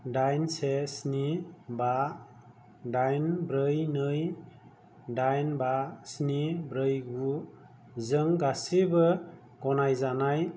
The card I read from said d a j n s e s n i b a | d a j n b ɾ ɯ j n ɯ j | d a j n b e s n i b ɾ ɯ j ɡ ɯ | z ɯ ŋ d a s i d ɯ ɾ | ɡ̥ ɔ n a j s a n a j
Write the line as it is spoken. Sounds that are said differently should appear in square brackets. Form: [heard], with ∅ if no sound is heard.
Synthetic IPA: d a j n s e s n i b a | d a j n b ɾ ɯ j n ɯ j | d a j n b [a] s n i b ɾ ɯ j ɡ [u] | z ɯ ŋ [ɡ] a s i [b] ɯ [∅] | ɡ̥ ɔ n a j [z] a n a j